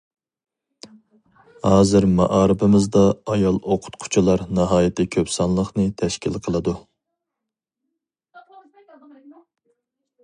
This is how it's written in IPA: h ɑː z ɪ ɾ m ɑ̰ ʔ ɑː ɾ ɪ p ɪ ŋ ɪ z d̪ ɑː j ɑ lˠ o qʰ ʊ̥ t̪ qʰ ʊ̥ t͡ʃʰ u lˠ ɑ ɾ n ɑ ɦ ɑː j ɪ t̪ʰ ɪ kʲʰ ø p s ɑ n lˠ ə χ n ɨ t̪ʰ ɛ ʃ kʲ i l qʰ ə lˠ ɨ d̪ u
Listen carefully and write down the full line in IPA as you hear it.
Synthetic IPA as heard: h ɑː z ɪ ɾ m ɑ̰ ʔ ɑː ɾ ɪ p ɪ m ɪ z d̪ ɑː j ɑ lˠ o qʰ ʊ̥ t̪ qʰ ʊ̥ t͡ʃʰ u lˠ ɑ ɾ n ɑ ɦ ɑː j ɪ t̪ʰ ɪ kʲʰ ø p s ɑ n lˠ ə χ n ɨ t̪ʰ ɛ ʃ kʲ i l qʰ ə lˠ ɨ d̪ u